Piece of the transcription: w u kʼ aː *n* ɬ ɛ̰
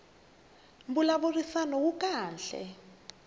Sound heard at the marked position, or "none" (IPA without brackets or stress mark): n